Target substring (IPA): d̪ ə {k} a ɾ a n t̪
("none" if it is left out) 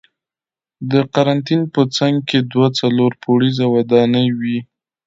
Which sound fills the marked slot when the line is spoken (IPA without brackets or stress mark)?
q